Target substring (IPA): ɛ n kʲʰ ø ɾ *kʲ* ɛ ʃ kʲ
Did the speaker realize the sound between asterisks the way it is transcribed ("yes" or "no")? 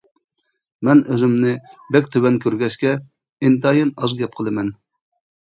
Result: no